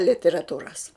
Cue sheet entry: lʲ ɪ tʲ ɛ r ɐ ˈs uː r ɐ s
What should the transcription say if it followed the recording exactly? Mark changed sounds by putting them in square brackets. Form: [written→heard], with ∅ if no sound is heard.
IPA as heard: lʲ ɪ tʲ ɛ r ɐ [ˈs→ˈt] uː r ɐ s